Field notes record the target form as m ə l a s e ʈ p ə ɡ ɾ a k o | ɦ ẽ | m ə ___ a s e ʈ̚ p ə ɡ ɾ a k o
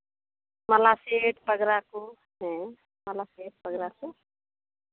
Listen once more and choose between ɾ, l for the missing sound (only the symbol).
l